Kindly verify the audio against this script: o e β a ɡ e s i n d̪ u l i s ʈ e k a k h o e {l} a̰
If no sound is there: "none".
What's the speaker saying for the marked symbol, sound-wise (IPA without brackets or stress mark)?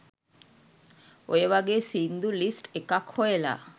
l